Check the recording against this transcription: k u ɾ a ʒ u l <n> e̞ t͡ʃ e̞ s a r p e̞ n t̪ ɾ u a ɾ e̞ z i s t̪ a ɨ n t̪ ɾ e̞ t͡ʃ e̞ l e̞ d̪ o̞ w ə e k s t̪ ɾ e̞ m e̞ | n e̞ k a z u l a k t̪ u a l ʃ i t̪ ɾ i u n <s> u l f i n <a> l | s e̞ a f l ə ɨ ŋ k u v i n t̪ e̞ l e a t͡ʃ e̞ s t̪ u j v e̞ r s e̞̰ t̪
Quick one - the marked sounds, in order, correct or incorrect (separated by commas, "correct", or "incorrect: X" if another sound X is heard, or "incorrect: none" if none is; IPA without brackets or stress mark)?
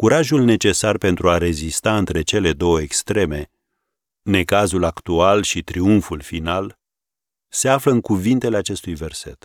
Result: correct, incorrect: f, correct